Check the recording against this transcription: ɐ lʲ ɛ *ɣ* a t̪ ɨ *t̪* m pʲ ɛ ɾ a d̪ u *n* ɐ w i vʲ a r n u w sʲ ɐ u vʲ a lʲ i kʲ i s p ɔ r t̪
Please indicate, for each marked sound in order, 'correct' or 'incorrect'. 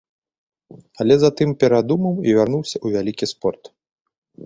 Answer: incorrect: z, incorrect: none, incorrect: m

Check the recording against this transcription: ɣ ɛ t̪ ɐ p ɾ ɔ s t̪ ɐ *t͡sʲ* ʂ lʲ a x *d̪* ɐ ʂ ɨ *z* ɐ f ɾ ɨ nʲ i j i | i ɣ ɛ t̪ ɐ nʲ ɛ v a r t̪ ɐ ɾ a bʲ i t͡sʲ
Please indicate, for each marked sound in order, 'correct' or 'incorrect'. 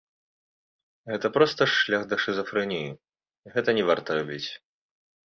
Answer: incorrect: none, correct, correct

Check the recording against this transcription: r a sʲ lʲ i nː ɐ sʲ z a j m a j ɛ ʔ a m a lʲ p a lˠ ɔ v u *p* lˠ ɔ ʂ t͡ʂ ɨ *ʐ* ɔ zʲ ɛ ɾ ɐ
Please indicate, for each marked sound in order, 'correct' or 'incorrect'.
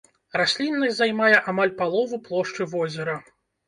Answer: correct, incorrect: v

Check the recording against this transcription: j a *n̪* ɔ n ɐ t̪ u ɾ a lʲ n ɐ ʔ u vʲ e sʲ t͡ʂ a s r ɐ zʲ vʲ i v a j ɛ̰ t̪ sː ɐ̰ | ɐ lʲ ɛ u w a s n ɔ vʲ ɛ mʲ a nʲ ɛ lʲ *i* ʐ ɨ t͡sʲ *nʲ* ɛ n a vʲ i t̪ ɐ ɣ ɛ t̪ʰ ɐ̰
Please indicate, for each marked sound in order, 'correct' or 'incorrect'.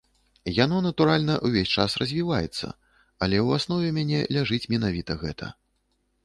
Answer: correct, incorrect: a, incorrect: mʲ

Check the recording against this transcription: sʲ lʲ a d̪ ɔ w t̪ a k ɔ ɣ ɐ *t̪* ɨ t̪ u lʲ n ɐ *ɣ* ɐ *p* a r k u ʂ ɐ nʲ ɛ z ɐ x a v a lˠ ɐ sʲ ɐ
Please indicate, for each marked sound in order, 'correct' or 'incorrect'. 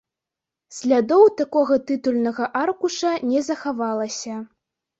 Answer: correct, correct, incorrect: ʔ

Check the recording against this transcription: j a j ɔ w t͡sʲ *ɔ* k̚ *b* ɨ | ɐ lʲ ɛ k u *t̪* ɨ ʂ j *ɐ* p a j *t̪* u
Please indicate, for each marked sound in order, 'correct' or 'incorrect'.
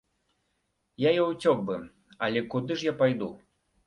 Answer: correct, correct, incorrect: d̪, incorrect: a, incorrect: d̪

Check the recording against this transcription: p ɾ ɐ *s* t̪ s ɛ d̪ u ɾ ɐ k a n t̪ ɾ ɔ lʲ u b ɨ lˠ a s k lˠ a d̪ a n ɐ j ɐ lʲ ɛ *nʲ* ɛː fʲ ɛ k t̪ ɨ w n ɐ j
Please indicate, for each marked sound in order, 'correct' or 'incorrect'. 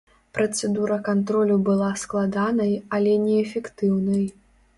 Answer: incorrect: none, correct

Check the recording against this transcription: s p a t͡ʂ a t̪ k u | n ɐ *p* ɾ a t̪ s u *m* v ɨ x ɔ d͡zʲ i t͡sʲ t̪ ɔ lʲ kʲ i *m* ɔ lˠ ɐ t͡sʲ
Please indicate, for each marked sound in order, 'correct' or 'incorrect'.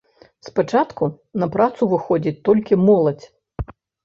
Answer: correct, incorrect: none, correct

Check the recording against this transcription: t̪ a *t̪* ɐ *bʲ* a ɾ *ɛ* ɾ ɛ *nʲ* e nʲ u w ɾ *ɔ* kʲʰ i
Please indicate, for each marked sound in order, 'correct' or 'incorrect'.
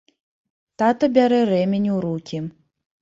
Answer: correct, correct, correct, incorrect: mʲ, incorrect: u

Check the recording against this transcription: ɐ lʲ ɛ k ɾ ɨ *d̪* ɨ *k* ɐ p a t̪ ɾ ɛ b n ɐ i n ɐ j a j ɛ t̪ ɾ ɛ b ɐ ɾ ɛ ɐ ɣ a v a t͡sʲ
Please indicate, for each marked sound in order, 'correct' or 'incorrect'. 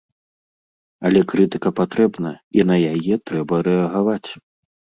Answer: incorrect: t̪, correct

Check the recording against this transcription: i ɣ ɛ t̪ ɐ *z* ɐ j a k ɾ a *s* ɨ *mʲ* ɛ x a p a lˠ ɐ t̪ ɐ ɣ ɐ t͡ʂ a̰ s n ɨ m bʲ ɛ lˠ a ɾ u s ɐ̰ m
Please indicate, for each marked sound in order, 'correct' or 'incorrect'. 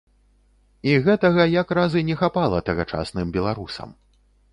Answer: incorrect: ɣ, incorrect: z, incorrect: nʲ

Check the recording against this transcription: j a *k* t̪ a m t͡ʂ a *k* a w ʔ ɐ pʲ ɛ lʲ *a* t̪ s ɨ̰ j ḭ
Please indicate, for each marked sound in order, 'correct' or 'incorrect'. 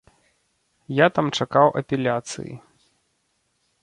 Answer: incorrect: none, correct, correct

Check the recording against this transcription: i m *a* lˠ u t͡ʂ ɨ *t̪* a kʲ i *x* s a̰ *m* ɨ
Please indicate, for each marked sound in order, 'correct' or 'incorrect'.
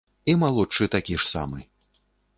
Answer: correct, correct, incorrect: ʂ, correct

